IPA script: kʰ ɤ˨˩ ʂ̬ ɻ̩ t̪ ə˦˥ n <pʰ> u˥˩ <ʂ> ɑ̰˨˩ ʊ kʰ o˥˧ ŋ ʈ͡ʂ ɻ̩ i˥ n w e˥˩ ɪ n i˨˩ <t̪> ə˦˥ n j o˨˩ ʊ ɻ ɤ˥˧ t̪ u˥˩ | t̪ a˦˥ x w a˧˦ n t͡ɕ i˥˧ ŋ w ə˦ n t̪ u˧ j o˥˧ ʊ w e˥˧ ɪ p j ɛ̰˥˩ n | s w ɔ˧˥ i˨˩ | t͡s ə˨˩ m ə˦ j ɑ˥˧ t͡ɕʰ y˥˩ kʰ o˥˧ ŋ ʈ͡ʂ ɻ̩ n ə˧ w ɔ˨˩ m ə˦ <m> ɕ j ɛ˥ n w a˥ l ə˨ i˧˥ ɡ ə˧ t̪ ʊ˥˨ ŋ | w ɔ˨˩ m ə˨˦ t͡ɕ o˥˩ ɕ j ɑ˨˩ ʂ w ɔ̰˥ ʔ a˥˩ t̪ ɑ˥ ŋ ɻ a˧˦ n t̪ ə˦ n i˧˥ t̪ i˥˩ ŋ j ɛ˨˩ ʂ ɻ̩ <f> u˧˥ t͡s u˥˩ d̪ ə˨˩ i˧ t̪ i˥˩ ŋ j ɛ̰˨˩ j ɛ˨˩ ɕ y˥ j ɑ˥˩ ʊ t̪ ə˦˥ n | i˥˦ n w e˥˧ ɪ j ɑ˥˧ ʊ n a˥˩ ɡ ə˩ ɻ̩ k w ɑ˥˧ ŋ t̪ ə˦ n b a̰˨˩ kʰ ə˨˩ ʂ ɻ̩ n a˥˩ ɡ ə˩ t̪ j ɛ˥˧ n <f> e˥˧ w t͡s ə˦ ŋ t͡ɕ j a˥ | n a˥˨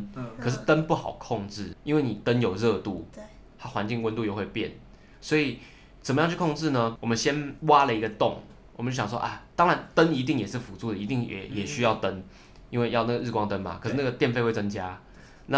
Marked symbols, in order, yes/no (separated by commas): no, no, yes, no, yes, yes